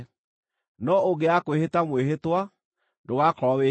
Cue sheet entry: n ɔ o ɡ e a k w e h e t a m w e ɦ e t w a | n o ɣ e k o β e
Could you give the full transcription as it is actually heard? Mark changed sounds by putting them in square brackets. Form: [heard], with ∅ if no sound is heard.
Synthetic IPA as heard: n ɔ o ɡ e a k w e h e t a m w e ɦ e t w a | [d] o ɣ [a] k [ɔ] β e